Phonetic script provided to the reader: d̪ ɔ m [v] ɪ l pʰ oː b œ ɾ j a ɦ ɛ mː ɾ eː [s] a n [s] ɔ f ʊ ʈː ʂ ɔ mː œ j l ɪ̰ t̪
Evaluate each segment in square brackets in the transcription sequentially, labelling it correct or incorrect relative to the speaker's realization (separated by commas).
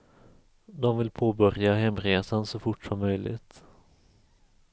correct, correct, correct